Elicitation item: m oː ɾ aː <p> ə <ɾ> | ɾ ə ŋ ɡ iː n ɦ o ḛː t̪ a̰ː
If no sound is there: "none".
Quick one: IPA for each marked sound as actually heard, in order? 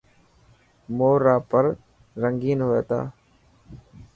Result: p, ɾ

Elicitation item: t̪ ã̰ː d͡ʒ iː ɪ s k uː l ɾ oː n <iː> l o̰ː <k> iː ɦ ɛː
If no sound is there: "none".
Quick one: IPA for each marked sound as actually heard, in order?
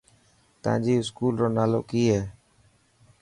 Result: aː, k

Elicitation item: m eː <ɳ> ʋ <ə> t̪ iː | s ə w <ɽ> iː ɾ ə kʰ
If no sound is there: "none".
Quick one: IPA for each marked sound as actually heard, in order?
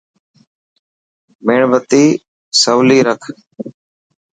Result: ɳ, ə, l

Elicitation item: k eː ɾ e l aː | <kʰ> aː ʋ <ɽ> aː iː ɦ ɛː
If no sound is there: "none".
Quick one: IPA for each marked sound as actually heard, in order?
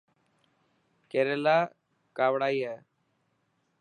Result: k, ɽ

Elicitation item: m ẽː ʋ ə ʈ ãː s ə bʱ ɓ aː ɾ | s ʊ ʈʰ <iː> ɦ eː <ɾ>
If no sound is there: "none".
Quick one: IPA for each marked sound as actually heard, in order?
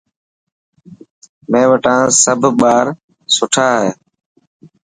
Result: aː, none

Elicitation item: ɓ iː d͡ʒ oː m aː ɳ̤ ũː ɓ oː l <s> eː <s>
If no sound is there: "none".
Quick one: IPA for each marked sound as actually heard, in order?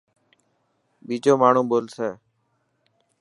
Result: s, none

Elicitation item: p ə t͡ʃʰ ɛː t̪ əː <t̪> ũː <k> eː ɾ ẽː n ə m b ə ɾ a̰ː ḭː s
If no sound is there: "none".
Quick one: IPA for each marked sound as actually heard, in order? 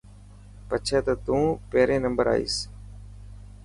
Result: t̪, p

